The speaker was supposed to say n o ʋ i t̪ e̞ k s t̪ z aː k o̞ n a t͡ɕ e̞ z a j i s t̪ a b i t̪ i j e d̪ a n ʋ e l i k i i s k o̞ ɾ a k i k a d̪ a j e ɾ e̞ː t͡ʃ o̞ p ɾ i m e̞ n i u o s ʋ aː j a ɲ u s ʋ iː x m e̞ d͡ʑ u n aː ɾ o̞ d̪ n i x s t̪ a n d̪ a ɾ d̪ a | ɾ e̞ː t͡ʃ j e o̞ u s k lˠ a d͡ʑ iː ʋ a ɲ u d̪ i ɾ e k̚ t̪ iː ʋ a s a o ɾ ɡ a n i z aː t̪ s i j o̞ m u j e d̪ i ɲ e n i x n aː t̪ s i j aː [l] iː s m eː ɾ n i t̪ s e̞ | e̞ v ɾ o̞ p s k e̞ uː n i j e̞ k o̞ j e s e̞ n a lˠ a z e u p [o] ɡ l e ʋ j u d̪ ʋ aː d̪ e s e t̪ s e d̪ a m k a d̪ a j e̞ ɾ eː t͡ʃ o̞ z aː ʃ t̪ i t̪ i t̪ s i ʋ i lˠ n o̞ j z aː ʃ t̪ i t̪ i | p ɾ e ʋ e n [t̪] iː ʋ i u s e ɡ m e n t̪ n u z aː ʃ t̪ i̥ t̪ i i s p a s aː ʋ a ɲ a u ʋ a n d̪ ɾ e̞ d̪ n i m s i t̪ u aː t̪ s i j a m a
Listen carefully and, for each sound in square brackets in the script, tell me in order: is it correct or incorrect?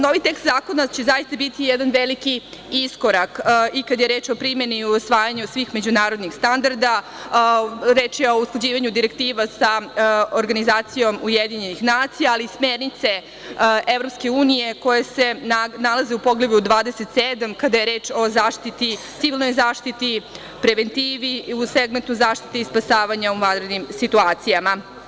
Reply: correct, correct, correct

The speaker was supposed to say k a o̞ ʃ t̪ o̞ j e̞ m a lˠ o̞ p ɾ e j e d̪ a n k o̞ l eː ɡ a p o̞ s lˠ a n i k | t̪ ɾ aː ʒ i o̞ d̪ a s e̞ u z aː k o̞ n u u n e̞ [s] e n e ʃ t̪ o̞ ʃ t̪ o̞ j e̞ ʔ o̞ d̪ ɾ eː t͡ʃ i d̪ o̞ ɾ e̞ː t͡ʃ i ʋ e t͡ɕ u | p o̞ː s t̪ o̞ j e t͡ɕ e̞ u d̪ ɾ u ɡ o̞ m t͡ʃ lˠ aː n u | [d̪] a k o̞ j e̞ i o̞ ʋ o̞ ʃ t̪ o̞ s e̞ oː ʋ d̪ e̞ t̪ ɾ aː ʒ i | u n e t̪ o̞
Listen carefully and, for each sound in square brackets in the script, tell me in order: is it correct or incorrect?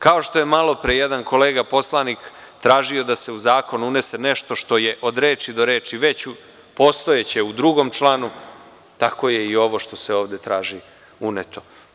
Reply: correct, incorrect: t̪

